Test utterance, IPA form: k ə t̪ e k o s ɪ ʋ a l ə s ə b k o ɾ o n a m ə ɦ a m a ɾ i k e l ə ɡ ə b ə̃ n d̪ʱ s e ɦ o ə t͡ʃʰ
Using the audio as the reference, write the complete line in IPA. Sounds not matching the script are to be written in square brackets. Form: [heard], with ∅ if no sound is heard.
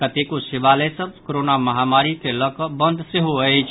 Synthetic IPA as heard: k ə t̪ e k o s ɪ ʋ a l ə s ə b k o ɾ o n a m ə ɦ a m a ɾ i k e l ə [k] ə b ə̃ n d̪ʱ s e ɦ o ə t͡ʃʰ